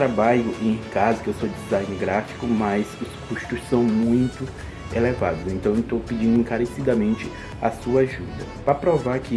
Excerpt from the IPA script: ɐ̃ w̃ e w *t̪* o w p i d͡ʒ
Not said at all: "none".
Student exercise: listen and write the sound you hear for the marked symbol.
t̪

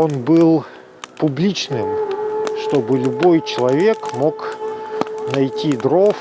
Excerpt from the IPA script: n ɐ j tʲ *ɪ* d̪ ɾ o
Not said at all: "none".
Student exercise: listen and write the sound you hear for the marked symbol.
i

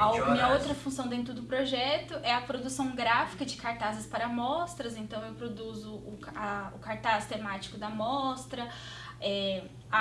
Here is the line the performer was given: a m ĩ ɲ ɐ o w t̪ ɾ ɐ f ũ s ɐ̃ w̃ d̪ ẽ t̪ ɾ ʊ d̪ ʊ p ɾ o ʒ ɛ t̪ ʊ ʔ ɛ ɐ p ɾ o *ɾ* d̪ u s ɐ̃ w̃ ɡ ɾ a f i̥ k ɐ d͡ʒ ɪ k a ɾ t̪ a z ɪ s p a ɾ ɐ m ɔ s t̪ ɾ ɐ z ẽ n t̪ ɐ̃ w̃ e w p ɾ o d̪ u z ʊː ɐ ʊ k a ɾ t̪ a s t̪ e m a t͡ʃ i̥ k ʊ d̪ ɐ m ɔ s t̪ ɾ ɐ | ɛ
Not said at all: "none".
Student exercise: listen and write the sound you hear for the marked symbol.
none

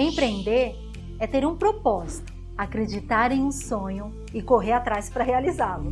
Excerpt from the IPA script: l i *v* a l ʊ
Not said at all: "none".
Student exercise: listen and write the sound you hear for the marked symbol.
z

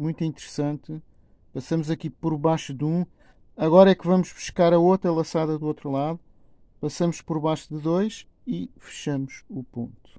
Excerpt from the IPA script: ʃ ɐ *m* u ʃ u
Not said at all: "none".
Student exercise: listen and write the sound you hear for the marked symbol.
m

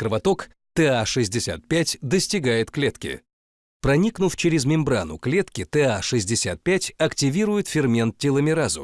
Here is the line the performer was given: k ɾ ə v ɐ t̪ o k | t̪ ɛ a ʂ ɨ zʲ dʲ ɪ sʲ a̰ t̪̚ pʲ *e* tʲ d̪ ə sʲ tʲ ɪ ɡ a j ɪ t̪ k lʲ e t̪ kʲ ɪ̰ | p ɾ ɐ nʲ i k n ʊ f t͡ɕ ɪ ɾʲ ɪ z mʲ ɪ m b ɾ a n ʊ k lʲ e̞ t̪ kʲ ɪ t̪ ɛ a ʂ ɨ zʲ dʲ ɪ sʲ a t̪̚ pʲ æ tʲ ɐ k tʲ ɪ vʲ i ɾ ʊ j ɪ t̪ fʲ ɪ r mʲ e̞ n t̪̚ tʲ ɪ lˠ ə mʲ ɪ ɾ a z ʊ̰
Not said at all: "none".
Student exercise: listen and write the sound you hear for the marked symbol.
æ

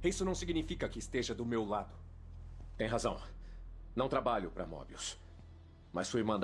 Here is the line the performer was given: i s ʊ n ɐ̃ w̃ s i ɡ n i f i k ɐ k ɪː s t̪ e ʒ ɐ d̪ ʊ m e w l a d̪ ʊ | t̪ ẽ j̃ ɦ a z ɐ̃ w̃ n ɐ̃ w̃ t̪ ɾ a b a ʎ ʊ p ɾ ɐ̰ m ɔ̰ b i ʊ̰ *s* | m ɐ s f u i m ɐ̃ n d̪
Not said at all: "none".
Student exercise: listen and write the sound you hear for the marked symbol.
s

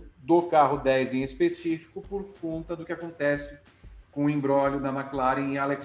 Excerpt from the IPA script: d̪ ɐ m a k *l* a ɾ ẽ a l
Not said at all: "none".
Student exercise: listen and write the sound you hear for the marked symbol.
l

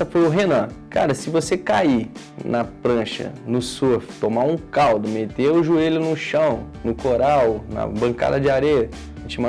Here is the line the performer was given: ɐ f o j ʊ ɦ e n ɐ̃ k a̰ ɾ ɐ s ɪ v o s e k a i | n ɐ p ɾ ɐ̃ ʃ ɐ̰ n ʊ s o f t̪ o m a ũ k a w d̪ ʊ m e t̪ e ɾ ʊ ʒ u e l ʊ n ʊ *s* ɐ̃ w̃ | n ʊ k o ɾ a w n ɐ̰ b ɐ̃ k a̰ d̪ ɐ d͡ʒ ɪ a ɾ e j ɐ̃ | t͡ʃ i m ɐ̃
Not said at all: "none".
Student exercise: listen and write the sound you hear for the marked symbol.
ʃ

